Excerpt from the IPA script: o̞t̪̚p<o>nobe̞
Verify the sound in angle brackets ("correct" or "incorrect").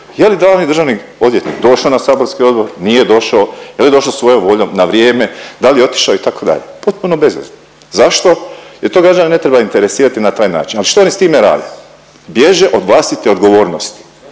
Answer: incorrect